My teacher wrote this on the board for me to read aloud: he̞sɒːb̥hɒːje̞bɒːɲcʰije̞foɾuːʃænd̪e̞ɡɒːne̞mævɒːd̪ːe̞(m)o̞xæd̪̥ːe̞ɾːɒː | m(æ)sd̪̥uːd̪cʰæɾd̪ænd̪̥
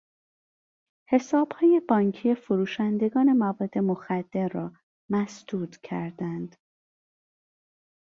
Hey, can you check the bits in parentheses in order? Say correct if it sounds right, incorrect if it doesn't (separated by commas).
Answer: correct, correct